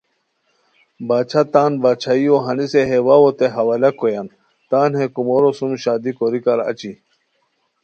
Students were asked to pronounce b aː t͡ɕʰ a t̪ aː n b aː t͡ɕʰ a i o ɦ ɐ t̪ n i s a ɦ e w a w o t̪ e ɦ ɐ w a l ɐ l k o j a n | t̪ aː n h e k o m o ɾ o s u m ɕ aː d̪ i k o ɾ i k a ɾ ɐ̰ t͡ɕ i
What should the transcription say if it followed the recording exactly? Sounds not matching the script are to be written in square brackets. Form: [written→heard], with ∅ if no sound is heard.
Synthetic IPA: b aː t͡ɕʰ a t̪ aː n b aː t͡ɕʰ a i o ɦ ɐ [t̪→∅] n i s [a→e] ɦ e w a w o t̪ e ɦ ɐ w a l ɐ [l→∅] k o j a n | t̪ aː n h e k [o→u] m o ɾ o s u m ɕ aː d̪ i k o ɾ i k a ɾ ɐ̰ t͡ɕ i